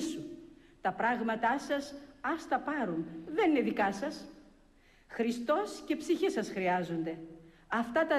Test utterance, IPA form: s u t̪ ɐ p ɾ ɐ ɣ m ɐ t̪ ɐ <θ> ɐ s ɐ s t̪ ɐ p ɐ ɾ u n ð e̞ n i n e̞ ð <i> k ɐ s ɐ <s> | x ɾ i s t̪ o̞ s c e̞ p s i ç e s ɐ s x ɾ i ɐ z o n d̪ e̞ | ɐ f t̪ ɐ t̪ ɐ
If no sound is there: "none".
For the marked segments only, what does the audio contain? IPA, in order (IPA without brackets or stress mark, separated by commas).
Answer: s, i, s